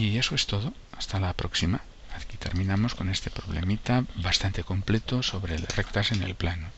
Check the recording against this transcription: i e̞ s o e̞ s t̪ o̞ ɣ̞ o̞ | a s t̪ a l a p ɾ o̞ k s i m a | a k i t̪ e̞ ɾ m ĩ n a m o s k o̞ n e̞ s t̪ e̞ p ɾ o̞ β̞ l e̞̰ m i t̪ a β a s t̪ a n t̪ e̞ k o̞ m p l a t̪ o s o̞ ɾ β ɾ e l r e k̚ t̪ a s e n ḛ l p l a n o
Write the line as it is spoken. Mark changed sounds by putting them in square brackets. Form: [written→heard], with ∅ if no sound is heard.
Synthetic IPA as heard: i e̞ s o e̞ s t̪ o̞ [ɣ̞→ð̞] o̞ | a s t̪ a l a p ɾ o̞ k s i m a | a k i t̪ e̞ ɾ m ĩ n a m o s k o̞ n e̞ s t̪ e̞ p ɾ o̞ β̞ l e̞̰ m i t̪ a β a s t̪ a n t̪ e̞ k o̞ m p l [a→e] t̪ o s o̞ [ɾ→∅] β ɾ e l r e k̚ t̪ a s e n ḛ l p l a n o